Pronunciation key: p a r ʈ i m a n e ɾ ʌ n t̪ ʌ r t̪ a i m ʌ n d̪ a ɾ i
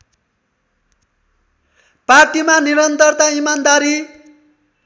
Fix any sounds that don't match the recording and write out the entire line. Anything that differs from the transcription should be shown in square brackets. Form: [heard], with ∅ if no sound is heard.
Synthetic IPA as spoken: p a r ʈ i m a n [i] ɾ ʌ n t̪ ʌ r t̪ a i m [a] n d̪ a ɾ i